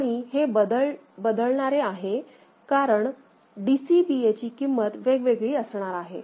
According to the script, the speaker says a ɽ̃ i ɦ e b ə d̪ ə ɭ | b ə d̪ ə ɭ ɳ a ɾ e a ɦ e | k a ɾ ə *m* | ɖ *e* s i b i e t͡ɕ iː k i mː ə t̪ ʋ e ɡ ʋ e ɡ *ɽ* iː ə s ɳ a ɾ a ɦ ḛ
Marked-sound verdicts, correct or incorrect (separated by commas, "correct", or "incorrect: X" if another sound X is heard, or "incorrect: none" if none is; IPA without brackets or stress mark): incorrect: ɳ, incorrect: i, incorrect: ɭ